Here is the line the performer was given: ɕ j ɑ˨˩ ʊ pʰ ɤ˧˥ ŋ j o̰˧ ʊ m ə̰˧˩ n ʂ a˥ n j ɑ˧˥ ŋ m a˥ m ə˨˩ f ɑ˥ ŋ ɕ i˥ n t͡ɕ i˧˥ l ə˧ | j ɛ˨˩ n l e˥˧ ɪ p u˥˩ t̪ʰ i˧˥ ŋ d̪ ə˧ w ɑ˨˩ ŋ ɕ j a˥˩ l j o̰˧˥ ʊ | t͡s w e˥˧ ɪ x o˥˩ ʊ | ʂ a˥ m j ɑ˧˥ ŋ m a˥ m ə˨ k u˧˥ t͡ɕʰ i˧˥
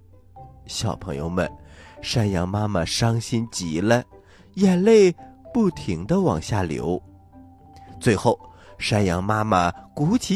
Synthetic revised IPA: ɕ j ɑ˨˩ ʊ pʰ ɤ˧˥ ŋ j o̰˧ ʊ m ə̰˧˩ n ʂ a˥ n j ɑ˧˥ ŋ m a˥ m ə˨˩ ʂ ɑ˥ ŋ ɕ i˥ n t͡ɕ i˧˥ l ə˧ | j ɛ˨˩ n l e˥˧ ɪ p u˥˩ t̪ʰ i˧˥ ŋ d̪ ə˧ w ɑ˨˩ ŋ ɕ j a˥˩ l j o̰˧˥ ʊ | t͡s w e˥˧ ɪ x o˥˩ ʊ | ʂ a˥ n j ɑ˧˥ ŋ m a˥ m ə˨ k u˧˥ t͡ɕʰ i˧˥